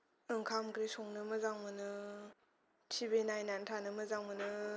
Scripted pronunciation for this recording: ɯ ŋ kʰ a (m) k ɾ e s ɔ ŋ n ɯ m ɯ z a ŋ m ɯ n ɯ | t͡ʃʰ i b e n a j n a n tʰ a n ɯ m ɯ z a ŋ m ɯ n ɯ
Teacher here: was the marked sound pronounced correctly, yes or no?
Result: yes